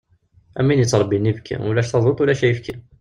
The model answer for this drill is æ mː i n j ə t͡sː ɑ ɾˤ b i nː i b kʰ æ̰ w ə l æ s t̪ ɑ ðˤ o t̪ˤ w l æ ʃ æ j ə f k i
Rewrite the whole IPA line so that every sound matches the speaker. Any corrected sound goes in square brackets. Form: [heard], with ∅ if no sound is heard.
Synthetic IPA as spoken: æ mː i n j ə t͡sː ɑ ɾˤ b i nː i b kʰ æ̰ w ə l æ [ʃ] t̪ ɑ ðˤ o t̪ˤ w l æ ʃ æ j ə f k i